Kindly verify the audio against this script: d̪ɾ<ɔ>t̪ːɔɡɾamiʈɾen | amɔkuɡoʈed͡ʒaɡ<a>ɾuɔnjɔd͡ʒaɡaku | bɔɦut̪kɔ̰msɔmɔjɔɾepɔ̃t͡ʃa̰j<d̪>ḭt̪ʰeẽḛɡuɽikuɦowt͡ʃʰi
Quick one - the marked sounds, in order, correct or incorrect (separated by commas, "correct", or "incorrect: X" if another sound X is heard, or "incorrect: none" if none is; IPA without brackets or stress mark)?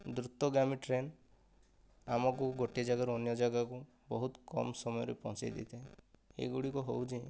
incorrect: u, correct, correct